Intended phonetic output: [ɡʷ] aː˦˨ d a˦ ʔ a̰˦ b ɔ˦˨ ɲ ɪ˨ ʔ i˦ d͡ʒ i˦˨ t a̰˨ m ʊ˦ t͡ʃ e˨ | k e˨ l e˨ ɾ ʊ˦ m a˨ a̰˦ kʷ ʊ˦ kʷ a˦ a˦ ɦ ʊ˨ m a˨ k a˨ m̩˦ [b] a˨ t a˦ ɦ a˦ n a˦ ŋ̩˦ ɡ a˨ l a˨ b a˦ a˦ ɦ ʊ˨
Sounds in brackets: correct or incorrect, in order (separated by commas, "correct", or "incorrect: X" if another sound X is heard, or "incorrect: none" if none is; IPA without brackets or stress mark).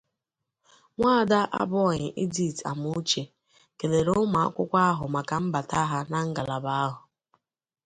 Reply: incorrect: ŋʷ, correct